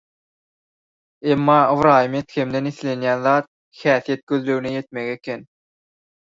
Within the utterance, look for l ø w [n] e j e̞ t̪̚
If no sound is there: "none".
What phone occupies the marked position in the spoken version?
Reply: n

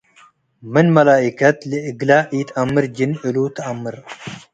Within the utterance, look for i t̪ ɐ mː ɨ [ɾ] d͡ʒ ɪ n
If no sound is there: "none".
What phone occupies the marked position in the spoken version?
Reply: ɾ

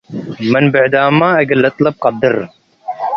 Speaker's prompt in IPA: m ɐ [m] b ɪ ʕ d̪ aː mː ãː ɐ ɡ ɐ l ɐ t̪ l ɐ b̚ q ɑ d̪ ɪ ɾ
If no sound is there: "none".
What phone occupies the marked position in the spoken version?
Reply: n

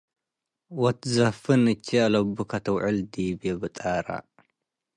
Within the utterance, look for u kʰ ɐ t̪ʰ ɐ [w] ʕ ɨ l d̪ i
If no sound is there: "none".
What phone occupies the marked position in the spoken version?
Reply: w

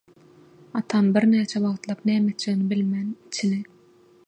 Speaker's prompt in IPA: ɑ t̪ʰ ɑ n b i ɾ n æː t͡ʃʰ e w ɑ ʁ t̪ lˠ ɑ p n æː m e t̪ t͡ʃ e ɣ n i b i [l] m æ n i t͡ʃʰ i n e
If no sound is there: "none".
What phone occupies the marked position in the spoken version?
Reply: l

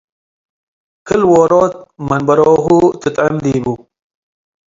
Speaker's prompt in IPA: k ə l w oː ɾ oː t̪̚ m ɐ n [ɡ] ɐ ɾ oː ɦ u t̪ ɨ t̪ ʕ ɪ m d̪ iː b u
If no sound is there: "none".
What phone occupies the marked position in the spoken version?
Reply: b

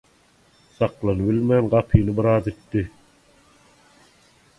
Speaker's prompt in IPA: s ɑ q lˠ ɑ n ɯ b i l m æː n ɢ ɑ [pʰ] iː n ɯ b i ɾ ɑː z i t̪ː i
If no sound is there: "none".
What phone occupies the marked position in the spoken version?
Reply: pʰ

